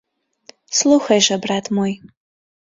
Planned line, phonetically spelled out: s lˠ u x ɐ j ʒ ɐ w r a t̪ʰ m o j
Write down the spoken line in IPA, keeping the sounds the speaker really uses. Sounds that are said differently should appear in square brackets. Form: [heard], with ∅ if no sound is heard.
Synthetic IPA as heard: s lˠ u x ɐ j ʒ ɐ [b] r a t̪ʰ m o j